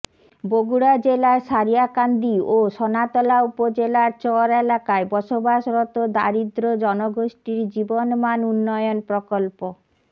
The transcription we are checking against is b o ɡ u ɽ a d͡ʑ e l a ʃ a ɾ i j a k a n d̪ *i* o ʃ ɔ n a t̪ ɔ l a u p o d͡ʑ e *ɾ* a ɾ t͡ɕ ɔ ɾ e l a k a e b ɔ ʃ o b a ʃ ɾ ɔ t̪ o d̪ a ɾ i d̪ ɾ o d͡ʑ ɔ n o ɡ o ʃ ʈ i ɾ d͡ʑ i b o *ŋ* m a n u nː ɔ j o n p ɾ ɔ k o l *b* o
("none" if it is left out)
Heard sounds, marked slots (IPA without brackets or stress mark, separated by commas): i, l, n, p